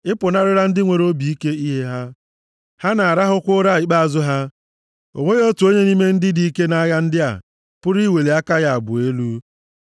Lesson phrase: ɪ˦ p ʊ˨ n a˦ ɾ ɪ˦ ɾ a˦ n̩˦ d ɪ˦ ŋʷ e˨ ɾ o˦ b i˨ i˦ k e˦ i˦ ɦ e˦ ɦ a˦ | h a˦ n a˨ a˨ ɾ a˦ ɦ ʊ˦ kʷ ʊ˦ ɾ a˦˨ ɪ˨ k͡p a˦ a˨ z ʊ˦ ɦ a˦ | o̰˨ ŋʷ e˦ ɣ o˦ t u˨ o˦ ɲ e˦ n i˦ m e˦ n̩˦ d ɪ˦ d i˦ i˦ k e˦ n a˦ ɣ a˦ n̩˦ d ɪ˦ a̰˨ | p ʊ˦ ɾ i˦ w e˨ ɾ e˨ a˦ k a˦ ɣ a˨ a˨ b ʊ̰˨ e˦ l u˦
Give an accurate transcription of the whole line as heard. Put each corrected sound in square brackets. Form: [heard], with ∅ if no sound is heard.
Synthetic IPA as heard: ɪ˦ p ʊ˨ n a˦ ɾ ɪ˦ ɾ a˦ n̩˦ d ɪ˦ ŋʷ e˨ ɾ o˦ b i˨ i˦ k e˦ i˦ ɦ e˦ ɦ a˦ | h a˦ n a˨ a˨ ɾ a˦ ɦ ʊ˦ kʷ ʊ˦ ɾ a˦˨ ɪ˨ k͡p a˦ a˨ z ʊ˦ ɦ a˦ | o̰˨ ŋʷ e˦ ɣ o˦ t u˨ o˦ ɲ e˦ n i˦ m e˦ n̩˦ d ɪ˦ d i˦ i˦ k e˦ n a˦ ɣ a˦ n̩˦ d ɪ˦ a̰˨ | p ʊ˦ ɾ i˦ w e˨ [l] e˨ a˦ k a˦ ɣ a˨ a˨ b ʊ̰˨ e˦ l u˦